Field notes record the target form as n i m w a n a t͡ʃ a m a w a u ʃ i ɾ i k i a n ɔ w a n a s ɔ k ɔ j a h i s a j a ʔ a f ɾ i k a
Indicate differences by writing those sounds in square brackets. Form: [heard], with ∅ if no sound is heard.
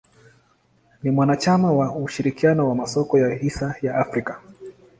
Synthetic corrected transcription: n i m w a n a t͡ʃ a m a w a u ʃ i ɾ i k i a n ɔ w a [m] a s ɔ k ɔ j a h i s a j a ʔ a f ɾ i k a

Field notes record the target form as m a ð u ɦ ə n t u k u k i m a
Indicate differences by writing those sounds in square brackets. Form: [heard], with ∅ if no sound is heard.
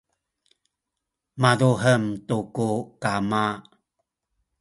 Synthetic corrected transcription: m a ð u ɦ ə [m] t u k u k [a] m a

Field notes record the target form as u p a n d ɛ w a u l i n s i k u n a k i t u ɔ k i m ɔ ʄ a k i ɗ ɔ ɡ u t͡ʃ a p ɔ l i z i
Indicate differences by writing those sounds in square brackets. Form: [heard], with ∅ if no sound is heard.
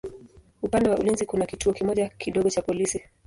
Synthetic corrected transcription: u p a n d ɛ w a u l i n [z] i k u n a k i t u ɔ k i m ɔ ʄ a k i ɗ ɔ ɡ [ɔ] t͡ʃ a p ɔ l i [s] i

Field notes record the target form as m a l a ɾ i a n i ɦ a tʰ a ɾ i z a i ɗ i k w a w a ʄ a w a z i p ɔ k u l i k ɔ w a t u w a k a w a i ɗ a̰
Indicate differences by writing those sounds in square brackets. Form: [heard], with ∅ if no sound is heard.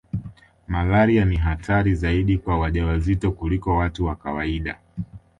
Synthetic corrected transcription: m a l a ɾ i a n i ɦ a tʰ a ɾ i z a i ɗ i k w a w a ʄ a w a z i [t] ɔ k u l i k ɔ w a t u w a k a w a i ɗ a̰

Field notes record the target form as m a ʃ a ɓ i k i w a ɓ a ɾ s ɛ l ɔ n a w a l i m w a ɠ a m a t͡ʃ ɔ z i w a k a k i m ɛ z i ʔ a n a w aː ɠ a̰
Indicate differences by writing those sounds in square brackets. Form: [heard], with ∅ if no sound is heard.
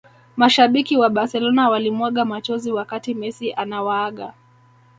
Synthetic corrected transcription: m a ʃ a ɓ i k i w a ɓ a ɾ s ɛ l ɔ n a w a l i m w a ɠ a m a t͡ʃ ɔ z i w a k a [t] i m ɛ [s] i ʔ a n a w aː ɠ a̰

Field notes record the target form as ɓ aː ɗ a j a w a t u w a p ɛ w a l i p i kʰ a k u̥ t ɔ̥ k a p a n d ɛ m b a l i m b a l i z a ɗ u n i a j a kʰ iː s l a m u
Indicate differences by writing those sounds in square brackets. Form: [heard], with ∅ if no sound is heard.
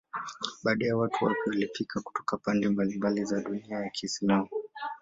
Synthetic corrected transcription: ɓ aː ɗ a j a w a t u w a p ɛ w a l i p i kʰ a k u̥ t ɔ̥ k a p a n d ɛ m b a l i m b a l i z a ɗ u n i a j a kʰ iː s l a m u

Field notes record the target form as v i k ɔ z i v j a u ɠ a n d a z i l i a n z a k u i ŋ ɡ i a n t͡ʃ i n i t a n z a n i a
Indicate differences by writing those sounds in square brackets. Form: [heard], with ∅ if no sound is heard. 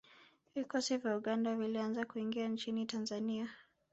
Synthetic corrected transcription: v i k ɔ [s] i v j a u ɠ a n d a [v] i l i a n z a k u i ŋ ɡ i a n t͡ʃ i n i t a n z a n i a

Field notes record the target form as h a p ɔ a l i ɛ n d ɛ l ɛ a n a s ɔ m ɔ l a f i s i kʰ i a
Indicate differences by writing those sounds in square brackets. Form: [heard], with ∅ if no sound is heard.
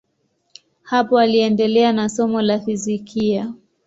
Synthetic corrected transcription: h a p ɔ a l i ɛ n d ɛ l ɛ a n a s ɔ m ɔ l a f i [z] i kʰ i a

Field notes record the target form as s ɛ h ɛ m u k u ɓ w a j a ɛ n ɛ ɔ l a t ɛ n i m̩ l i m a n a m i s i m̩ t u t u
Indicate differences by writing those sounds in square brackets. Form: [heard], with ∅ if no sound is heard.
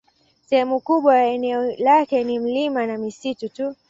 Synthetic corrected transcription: s ɛ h ɛ m u k u ɓ w a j a ɛ n ɛ ɔ l a [k] ɛ n i m̩ l i m a n a m i s i [∅] t u t u

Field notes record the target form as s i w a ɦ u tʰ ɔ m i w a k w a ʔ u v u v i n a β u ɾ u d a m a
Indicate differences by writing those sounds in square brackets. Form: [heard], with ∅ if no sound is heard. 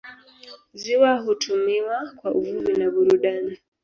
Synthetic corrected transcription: [z] i w a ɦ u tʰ [u] m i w a k w a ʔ u v u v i n a β u ɾ u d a [n] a

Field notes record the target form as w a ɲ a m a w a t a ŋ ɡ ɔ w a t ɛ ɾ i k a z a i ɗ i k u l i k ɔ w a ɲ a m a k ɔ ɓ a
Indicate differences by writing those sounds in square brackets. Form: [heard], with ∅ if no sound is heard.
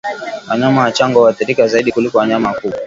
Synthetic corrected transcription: w a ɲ a m a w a [t͡ʃ] a ŋ ɡ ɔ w a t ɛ ɾ i k a z a i ɗ i k u l i k ɔ w a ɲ a m a k [u] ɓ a

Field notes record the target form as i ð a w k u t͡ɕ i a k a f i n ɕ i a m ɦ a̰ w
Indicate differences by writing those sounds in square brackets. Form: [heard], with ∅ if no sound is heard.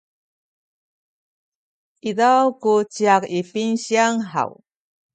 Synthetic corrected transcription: i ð a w k u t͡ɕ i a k [i] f i n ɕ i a [ŋ] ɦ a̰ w

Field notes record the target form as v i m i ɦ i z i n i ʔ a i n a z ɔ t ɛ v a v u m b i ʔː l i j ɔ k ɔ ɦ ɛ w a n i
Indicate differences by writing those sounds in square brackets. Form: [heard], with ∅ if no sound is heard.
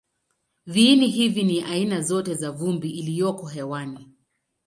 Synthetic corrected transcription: v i [n] i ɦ i [v] i n i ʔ a i n a z ɔ t ɛ [z] a v u m b i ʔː l i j ɔ k ɔ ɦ ɛ w a n i

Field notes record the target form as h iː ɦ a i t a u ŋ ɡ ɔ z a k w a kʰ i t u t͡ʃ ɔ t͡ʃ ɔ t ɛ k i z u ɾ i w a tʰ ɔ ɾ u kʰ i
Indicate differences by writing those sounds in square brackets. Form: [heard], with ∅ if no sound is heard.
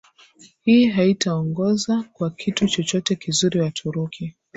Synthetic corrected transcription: h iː ɦ a i t a [ɔ] ŋ ɡ ɔ z a k w a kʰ i t u t͡ʃ ɔ t͡ʃ ɔ t ɛ k i z u ɾ i w a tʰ [u] ɾ u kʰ i

